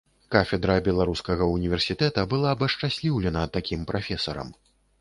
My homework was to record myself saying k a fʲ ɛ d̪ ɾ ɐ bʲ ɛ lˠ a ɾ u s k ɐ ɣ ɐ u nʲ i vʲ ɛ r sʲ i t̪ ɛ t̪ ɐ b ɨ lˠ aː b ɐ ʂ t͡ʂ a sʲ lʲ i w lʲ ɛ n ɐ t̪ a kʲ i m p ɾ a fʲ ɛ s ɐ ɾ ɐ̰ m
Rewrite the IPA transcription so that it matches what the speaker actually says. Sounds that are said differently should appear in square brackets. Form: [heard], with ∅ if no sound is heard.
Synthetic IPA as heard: k a fʲ ɛ d̪ ɾ ɐ bʲ ɛ lˠ a ɾ u s k ɐ ɣ ɐ u nʲ i vʲ ɛ r sʲ i t̪ ɛ t̪ ɐ b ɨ lˠ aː b ɐ ʂ t͡ʂ a sʲ lʲ i w lʲ ɛ n ɐ t̪ a kʲ i m p ɾ a fʲ ɛ s ɐ ɾ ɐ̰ m